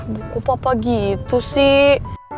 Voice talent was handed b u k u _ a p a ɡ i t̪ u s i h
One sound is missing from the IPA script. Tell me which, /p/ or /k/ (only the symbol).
p